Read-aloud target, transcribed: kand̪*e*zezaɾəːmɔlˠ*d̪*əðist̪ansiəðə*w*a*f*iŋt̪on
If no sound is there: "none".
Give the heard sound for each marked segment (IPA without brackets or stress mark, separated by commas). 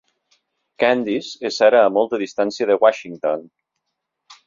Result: i, t̪, w, ʃ